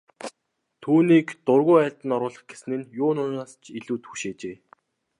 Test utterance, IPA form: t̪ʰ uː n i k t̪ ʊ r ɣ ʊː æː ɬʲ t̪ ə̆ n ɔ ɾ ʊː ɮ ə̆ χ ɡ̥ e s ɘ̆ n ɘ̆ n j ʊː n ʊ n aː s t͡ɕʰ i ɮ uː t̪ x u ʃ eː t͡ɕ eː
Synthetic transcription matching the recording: t̪ʰ uː n iː k t̪ ʊ r ɣ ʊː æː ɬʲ t̪ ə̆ n ɔ ɾ ʊː ɮ ə̆ χ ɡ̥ e s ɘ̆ n ɘ̆ n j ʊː n ʊ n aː s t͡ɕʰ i ɮ uː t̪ x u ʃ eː t͡ɕ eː